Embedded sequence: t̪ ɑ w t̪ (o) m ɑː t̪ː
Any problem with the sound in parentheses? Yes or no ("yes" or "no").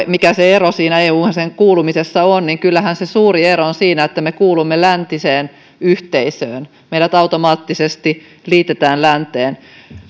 no